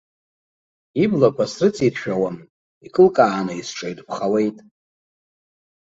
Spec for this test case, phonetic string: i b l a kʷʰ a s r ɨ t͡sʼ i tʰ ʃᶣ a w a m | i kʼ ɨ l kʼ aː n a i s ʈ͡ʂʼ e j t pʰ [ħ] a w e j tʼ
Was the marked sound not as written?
yes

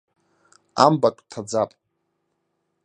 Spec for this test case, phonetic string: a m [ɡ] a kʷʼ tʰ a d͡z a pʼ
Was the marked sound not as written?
yes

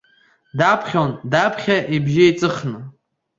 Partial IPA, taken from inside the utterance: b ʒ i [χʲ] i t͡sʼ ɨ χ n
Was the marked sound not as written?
yes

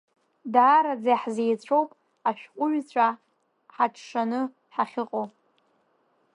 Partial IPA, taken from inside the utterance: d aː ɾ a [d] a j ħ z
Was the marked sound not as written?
yes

